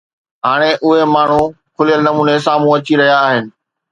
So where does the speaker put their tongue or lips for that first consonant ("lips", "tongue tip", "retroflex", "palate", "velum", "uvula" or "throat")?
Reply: throat